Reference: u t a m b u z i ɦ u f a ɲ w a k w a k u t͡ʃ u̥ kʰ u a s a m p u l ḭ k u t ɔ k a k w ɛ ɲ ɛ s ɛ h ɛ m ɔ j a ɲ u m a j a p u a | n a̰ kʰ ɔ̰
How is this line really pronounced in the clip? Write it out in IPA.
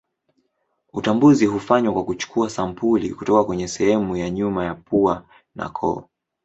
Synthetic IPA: u t a m b u z i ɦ u f a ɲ w a k w a k u t͡ʃ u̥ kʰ u a s a m p u l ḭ k u t ɔ k a k w ɛ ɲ ɛ s ɛ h ɛ m u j a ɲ u m a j a p u a | n a̰ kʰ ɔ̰